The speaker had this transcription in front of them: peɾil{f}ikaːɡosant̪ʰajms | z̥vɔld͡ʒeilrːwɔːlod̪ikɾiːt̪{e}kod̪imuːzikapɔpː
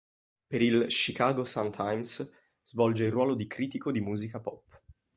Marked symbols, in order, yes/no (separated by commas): no, no